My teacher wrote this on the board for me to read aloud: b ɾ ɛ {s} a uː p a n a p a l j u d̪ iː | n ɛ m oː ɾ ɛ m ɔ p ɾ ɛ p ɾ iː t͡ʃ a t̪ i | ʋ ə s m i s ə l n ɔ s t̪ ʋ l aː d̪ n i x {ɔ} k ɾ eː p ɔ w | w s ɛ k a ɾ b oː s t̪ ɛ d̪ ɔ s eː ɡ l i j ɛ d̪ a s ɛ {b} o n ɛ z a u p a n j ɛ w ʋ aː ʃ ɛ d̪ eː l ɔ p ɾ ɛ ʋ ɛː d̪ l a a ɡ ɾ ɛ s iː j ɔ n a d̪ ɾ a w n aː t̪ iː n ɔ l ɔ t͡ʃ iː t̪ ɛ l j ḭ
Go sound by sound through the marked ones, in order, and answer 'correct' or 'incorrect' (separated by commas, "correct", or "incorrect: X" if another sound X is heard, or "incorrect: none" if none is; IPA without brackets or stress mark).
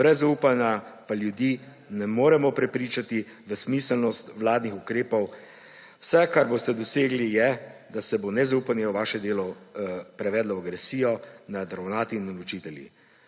incorrect: z, incorrect: u, correct